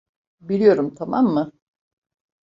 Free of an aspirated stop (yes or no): no